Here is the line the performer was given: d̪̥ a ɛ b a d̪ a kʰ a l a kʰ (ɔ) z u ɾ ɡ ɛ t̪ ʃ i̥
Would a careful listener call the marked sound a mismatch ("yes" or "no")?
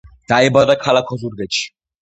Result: no